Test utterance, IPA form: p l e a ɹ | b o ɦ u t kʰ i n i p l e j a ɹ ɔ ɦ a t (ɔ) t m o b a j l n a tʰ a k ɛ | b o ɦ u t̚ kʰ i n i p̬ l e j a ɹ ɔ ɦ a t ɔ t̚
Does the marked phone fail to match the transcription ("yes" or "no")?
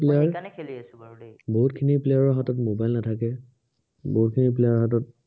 no